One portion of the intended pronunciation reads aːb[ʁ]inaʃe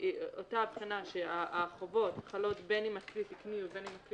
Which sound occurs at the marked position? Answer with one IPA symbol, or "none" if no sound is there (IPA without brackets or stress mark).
χ